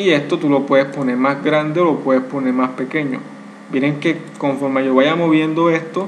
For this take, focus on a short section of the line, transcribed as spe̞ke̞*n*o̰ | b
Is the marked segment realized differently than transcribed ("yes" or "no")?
yes